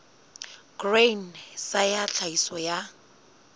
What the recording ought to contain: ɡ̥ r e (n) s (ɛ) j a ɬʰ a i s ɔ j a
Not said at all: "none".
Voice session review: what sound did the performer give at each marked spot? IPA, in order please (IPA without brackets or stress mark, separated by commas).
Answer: n, a